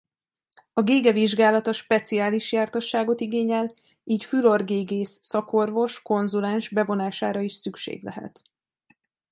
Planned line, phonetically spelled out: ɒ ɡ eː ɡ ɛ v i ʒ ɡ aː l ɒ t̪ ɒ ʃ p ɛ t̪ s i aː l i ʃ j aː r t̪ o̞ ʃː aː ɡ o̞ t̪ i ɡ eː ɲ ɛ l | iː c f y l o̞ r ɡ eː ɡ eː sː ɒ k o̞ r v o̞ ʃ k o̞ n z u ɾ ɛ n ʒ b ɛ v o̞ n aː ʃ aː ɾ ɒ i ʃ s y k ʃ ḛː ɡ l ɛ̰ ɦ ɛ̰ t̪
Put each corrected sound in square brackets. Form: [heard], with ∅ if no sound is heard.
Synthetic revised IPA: ɒ ɡ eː ɡ ɛ v i ʒ ɡ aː l ɒ t̪ ɒ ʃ p ɛ t̪ s i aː l i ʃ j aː r t̪ o̞ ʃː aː ɡ o̞ t̪ i ɡ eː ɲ ɛ l | iː c f y l o̞ r ɡ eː ɡ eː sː ɒ k o̞ r v o̞ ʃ k o̞ n z u [l] ɛ n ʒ b ɛ v o̞ n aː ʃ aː ɾ ɒ i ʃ s y k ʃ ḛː ɡ l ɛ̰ ɦ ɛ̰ t̪

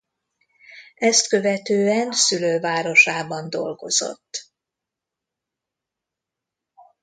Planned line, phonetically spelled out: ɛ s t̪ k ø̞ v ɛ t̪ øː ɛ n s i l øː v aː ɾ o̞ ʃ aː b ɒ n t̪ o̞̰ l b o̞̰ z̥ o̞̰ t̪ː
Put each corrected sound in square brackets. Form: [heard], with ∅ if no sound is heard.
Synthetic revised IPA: ɛ s t̪ k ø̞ v ɛ t̪ øː ɛ n s [y] l øː v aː ɾ o̞ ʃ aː b ɒ n [d̪] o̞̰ l [ɡ] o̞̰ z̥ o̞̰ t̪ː

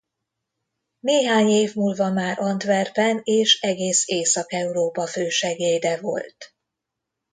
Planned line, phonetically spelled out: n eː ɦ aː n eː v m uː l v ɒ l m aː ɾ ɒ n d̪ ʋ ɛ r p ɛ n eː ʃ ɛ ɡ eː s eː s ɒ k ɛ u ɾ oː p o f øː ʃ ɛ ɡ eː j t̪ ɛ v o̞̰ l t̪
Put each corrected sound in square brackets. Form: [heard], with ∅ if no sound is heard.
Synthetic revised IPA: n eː ɦ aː [ɲ] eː v m uː l v ɒ [∅] m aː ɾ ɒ n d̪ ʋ ɛ r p ɛ n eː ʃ ɛ ɡ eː s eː s ɒ k ɛ u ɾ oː p [ɒ] f øː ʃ ɛ ɡ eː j [d̪] ɛ v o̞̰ l t̪

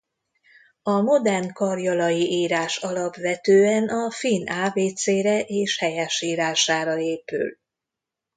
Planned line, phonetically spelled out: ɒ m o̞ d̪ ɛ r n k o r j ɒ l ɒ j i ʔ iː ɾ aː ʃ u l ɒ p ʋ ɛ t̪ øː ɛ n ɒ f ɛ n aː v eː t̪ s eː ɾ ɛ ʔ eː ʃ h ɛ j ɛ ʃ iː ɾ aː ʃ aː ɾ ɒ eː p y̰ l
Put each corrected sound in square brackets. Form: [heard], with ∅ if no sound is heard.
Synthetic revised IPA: ɒ m o̞ d̪ ɛ r n k [ɒ] r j ɒ l ɒ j i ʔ iː ɾ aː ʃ [ɒ] l ɒ p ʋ ɛ t̪ øː ɛ n ɒ f [i] n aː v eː t̪ s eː ɾ ɛ ʔ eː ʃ h ɛ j ɛ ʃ iː ɾ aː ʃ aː ɾ ɒ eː p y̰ l

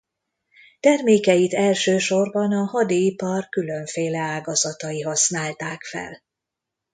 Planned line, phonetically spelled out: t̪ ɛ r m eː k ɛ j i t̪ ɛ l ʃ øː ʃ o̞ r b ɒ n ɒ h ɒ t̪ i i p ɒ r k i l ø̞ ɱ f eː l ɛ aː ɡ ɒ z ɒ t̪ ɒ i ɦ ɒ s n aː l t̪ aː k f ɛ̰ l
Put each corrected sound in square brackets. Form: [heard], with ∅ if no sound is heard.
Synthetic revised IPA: t̪ ɛ r m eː k ɛ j i t̪ ɛ l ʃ øː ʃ o̞ r b ɒ n ɒ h ɒ [d̪] i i p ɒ r k [y] l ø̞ ɱ f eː l ɛ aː ɡ ɒ z ɒ t̪ ɒ i ɦ ɒ s n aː l t̪ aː k f ɛ̰ l

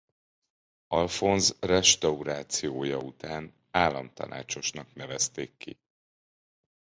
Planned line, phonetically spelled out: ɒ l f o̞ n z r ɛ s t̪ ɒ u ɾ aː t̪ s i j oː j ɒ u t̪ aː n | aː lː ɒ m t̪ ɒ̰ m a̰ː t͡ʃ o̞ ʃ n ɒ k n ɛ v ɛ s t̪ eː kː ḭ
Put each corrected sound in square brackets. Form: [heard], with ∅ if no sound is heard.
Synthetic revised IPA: ɒ l f o̞ n z r ɛ [ʃ] t̪ ɒ u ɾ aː t̪ s i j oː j ɒ u t̪ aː n | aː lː ɒ m t̪ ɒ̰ [n] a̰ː t͡ʃ o̞ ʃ n ɒ k n ɛ v ɛ s t̪ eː kː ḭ

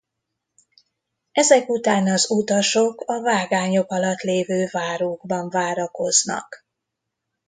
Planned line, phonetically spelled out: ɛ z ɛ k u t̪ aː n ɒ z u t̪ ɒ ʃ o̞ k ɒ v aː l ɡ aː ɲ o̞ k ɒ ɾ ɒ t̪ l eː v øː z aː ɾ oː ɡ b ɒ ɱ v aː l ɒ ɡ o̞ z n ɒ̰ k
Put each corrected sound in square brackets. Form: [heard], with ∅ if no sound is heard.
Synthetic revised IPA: ɛ z ɛ k u t̪ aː n ɒ z u t̪ ɒ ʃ o̞ k ɒ v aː [∅] ɡ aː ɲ o̞ k ɒ [l] ɒ t̪ l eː v øː [v] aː ɾ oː ɡ b ɒ ɱ v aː [ɾ] ɒ [k] o̞ z n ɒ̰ k

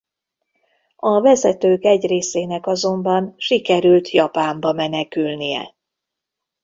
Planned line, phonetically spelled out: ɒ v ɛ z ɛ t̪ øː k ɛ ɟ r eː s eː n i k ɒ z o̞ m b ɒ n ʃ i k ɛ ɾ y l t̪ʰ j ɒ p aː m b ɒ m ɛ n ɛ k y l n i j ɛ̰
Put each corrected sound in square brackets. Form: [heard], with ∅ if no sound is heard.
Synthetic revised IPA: ɒ v ɛ z ɛ t̪ øː k ɛ ɟ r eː s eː n [ɛ] k ɒ z o̞ m b ɒ n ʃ i k ɛ ɾ y l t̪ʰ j ɒ p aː m b ɒ m ɛ n ɛ k y l n i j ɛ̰

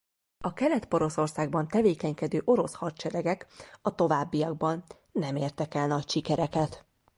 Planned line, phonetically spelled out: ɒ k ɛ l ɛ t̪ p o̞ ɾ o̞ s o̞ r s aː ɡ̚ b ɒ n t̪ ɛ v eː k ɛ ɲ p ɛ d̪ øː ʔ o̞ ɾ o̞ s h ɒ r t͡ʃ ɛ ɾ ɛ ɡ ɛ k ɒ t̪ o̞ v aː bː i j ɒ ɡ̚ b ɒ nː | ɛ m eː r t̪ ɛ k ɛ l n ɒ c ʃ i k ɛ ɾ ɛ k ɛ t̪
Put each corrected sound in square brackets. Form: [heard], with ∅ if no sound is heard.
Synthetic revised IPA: ɒ k ɛ l ɛ t̪ p o̞ ɾ o̞ s o̞ r s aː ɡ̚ b ɒ n t̪ ɛ v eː k ɛ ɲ [k] ɛ d̪ øː ʔ o̞ ɾ o̞ s h ɒ r t͡ʃ ɛ ɾ ɛ ɡ ɛ k ɒ t̪ o̞ v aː bː i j ɒ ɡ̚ b ɒ nː | ɛ m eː r t̪ ɛ k ɛ l n ɒ c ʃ i k ɛ ɾ ɛ k ɛ t̪

